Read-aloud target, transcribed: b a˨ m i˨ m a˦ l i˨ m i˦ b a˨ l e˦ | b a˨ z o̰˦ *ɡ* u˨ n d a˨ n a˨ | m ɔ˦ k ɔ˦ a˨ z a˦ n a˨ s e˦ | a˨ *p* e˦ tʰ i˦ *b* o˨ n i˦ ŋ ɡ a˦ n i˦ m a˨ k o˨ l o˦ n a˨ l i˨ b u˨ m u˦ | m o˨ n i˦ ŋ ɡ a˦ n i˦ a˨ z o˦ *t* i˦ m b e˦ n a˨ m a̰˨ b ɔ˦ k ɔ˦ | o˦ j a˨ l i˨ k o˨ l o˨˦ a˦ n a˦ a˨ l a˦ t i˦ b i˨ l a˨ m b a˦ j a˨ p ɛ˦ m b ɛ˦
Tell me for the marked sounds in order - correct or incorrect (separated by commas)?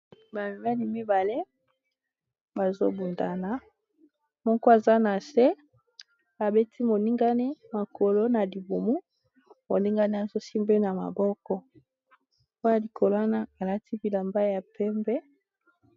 incorrect, incorrect, incorrect, incorrect